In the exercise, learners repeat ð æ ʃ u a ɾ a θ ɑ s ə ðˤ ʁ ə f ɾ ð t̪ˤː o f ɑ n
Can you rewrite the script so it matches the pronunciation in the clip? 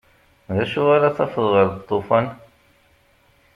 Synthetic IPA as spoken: ð æ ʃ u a ɾ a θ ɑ f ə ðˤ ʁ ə ɾ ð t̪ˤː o f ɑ n